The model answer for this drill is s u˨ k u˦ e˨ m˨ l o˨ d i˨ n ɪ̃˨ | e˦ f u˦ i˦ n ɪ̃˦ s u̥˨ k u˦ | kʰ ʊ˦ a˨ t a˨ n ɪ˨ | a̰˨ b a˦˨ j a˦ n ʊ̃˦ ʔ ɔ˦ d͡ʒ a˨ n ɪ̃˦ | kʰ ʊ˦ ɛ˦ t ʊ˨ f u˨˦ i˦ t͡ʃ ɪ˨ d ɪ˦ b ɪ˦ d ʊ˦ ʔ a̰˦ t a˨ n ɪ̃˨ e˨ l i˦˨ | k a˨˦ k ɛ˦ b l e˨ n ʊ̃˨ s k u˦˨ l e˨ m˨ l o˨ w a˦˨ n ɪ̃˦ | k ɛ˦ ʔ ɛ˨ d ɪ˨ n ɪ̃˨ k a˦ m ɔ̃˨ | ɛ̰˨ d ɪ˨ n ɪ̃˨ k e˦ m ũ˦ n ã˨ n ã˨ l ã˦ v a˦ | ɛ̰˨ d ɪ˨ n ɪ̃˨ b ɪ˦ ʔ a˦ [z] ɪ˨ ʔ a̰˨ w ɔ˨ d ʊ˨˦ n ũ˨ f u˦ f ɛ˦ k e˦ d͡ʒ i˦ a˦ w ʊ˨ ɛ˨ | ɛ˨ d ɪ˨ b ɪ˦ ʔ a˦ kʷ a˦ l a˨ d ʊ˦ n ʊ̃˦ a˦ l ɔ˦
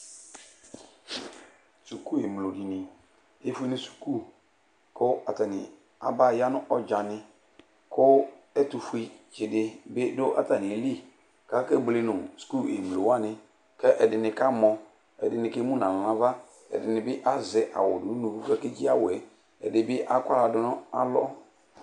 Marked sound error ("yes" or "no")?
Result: no